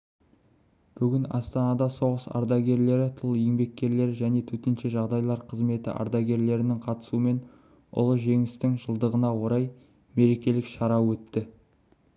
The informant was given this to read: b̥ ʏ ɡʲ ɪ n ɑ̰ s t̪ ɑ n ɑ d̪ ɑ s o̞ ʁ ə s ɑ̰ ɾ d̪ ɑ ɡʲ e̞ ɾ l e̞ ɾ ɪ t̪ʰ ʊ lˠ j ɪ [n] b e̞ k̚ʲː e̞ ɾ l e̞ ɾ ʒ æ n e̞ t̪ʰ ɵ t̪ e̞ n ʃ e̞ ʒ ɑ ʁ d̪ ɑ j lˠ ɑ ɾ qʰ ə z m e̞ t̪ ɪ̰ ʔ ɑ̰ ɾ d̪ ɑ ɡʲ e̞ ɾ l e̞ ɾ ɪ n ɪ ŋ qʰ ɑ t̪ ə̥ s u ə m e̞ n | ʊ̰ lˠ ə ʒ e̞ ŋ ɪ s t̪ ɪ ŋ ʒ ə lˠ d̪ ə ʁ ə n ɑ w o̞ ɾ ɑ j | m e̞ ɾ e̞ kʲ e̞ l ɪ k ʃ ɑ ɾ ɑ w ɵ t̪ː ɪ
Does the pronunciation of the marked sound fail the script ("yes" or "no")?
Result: yes